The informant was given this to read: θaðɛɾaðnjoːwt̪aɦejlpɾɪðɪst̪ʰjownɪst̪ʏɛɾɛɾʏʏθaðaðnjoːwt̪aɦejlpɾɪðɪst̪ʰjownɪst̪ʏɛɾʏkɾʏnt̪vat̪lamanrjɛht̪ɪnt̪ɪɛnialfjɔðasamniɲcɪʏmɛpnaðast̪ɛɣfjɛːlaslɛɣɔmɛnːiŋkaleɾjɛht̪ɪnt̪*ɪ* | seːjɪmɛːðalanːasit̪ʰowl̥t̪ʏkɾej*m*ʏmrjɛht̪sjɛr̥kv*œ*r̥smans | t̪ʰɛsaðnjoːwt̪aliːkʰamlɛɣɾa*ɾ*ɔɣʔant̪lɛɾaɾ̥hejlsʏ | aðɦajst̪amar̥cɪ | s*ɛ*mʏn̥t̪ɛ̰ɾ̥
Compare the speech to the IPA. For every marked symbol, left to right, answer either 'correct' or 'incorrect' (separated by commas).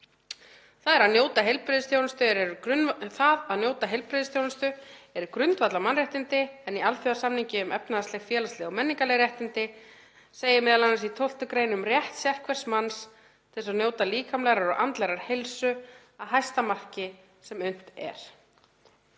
correct, incorrect, incorrect, correct, correct